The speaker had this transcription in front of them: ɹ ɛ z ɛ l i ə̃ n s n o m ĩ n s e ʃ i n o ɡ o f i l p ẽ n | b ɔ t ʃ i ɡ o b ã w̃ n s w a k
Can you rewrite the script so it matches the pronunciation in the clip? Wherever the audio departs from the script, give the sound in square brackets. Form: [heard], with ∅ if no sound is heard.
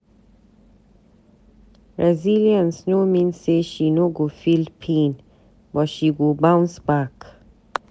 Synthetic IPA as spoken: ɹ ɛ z [i] l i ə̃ n s n o m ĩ n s e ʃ i n o ɡ o f i l [pʰ] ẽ n | b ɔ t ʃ i ɡ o b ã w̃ n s [b] a k

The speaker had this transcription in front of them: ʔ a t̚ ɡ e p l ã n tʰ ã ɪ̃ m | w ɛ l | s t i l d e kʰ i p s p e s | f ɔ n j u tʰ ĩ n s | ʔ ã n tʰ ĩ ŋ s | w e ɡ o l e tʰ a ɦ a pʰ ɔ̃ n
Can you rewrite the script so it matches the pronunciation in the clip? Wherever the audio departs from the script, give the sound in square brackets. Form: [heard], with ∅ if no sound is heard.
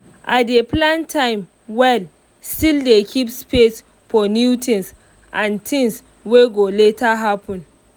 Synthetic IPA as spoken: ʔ a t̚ [d] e p l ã n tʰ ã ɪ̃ m | w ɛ l | s t i l d e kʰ i p s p e s | f ɔ n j u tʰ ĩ n s | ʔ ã n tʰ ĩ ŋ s | w e ɡ o l e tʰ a ɦ a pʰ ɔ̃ n

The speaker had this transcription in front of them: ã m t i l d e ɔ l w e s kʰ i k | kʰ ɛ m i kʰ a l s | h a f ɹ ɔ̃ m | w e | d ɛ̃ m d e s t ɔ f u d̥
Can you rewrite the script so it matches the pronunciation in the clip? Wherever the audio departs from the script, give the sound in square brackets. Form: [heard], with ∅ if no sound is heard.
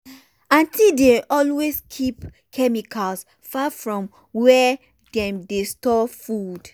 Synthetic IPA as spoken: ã [n] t i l d e ɔ l w e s kʰ i [p] | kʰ ɛ m i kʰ a l s | [f] a f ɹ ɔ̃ m | w [ɛ] | d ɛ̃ m d e s t ɔ f u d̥

